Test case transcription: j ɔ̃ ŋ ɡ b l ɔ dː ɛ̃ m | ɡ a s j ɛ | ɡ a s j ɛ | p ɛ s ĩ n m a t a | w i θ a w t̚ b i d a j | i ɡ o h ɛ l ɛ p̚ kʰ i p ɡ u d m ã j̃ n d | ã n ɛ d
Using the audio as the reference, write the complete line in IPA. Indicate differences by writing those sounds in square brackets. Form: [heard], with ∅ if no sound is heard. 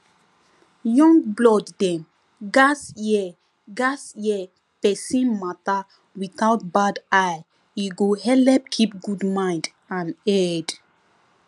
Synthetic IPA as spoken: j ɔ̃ ŋ ɡ b l ɔ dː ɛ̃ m | ɡ a s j ɛ | ɡ a s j ɛ | p ɛ s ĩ n m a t a | w i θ a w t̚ b [a] d a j | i ɡ o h ɛ l ɛ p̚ kʰ i p ɡ u d m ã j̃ n d | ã n ɛ d